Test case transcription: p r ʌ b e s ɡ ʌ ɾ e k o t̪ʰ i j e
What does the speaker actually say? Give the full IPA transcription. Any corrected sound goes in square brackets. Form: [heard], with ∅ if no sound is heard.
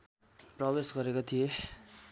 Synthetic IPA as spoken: p r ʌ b e s ɡ ʌ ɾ e k o t̪ʰ i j e